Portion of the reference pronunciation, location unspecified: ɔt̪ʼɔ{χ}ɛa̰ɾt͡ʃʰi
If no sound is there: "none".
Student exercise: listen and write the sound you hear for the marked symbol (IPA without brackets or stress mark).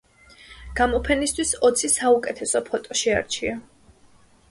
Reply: ʃ